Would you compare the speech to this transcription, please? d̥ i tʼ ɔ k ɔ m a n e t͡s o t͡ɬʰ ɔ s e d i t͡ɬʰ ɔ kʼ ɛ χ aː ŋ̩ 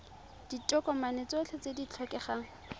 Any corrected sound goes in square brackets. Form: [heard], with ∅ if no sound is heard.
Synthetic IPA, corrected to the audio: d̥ i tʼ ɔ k ɔ m a n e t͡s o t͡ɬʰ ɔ [t͡s] e d i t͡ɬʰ ɔ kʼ ɛ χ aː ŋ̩